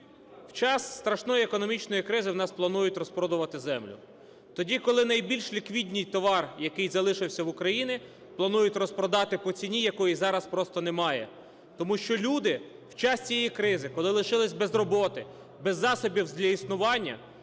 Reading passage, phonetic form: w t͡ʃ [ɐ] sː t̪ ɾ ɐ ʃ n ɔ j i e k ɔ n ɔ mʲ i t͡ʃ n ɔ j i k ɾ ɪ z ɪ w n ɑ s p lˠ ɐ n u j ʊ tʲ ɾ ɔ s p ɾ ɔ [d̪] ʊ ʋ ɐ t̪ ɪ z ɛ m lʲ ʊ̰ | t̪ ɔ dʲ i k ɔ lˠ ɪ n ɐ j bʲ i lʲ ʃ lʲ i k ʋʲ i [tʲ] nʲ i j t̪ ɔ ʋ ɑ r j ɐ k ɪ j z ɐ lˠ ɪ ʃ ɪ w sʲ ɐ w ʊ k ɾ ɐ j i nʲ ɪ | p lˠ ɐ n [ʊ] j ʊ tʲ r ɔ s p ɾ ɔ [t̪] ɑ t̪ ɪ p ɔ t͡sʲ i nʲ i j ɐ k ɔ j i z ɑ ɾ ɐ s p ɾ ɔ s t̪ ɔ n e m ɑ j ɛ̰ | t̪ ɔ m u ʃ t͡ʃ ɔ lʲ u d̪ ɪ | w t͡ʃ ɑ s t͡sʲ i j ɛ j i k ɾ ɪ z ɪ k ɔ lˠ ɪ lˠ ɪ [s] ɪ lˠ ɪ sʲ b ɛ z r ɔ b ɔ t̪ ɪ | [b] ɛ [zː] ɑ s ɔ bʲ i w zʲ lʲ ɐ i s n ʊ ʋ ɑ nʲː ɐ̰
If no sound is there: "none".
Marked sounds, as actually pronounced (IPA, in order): ɑ, d̪, dʲ, u, d̪, ʃ, b, zː

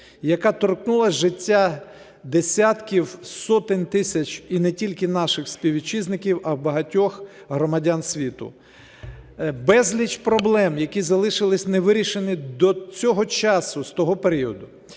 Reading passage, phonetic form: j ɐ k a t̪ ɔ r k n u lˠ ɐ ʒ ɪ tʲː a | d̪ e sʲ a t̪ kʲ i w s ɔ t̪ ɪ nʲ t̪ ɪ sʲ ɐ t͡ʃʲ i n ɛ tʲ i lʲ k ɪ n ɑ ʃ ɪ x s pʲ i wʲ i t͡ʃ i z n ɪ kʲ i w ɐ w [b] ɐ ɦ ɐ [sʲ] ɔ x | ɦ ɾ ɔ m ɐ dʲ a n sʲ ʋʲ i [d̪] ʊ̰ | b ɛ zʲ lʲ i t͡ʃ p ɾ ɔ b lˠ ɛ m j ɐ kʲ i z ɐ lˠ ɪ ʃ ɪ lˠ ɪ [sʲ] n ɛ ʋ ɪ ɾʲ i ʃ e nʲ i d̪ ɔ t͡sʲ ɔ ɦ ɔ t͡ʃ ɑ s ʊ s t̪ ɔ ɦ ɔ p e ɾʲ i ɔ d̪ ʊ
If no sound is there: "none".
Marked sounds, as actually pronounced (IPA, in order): b, tʲ, t̪, sʲ

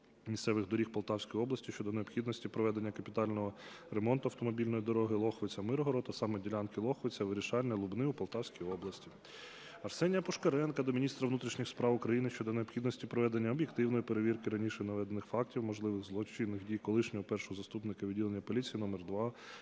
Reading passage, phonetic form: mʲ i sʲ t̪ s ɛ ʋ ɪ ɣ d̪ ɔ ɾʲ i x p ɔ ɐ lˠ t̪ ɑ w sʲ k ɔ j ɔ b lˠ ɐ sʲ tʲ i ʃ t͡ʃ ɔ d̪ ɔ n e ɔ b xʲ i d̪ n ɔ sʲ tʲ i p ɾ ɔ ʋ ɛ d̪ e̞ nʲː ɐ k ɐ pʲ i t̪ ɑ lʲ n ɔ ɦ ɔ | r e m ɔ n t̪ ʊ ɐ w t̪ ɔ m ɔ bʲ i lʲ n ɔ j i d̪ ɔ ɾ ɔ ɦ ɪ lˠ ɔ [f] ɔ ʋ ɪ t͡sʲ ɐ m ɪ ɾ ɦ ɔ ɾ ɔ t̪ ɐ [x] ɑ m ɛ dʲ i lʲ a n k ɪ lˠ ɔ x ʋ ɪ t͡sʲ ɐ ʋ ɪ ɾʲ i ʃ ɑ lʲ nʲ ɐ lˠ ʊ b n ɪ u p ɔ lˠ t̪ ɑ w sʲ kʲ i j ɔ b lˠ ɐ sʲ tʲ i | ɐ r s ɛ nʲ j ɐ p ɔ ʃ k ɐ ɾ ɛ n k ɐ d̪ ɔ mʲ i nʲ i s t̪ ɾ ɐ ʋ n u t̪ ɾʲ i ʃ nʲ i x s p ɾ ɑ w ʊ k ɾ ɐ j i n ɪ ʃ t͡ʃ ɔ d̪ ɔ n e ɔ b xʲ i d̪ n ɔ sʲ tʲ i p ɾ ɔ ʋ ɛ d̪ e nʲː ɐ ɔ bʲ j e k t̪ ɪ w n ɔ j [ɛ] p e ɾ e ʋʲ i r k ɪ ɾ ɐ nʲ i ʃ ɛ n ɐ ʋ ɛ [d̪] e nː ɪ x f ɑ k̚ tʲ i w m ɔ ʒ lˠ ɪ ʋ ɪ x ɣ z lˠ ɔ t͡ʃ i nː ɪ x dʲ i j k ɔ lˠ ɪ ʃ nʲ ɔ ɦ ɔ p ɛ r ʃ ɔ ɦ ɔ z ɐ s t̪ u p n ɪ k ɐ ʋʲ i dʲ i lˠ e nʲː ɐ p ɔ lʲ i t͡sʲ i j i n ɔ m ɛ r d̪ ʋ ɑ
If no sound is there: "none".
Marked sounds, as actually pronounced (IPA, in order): x, s, i, d̪

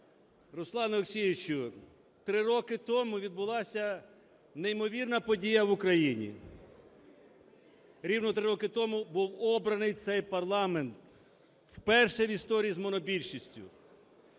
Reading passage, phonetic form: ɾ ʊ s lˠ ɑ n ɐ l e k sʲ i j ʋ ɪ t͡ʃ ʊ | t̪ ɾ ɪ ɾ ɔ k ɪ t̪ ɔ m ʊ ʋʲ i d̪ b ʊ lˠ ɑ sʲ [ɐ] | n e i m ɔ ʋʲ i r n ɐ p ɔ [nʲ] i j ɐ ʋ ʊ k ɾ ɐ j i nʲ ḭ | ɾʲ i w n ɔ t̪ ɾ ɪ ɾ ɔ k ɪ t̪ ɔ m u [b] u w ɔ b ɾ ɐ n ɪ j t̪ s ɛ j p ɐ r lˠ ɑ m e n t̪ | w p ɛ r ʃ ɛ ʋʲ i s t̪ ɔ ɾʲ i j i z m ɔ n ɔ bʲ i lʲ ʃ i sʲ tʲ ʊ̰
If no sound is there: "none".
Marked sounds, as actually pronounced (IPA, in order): ɐ, dʲ, b

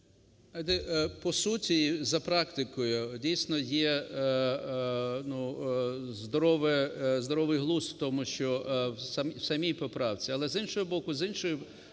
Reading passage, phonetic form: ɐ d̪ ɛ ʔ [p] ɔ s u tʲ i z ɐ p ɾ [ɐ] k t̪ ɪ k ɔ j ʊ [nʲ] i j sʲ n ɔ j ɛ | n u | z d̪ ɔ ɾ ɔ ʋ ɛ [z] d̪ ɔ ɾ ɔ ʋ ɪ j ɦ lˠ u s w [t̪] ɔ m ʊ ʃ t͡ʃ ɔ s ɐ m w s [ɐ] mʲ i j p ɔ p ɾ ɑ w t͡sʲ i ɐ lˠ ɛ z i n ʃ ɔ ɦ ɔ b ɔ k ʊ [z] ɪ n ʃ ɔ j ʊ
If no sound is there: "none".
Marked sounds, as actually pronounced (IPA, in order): p, ɑ, dʲ, z, t̪, ɐ, z

